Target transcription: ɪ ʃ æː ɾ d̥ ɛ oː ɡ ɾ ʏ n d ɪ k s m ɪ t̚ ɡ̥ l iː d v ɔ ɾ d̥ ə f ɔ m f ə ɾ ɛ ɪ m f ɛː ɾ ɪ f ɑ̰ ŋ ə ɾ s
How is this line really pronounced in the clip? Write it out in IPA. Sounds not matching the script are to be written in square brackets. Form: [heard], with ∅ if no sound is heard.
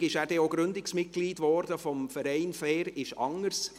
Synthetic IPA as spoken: ɪ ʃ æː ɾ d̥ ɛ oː ɡ ɾ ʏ n d ɪ k s m ɪ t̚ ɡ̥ l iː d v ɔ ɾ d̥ ə f ɔ m f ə ɾ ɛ ɪ [n] f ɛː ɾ ɪ [ʃ] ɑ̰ ŋ ə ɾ s